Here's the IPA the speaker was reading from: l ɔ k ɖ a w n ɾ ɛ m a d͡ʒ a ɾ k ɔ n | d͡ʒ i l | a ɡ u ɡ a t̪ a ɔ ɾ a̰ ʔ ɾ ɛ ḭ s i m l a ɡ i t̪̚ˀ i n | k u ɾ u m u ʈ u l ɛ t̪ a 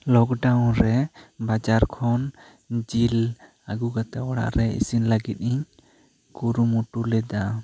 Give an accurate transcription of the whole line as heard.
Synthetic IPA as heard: l ɔ k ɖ a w n ɾ ɛ b a d͡ʒ a ɾ kʰ ɔ n | d͡ʒ i l | a ɡ u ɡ a t̪ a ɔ ɽ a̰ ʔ ɾ ɛ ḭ s i n l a ɡ i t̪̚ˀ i ɲ | k u ɾ u m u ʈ u l ɛ d̪ a